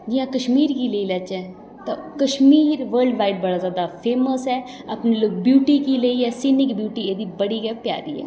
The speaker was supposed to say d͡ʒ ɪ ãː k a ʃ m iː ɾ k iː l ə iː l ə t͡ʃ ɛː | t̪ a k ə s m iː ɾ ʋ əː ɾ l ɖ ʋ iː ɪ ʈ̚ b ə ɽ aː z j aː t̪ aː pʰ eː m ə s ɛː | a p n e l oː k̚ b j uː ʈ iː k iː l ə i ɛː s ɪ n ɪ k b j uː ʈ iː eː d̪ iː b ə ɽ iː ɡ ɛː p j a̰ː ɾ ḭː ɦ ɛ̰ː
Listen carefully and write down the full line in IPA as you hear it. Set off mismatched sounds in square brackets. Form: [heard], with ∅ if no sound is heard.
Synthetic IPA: d͡ʒ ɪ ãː k [ə] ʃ m iː ɾ k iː l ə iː l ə t͡ʃ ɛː | t̪ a k ə [ʃ] m iː ɾ ʋ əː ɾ l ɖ ʋ [aː] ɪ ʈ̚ b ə ɽ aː z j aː [d̪] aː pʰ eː m ə s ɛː | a p n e l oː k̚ b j uː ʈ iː k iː l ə i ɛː s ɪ n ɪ k b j uː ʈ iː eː d̪ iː b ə ɽ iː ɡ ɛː p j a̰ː ɾ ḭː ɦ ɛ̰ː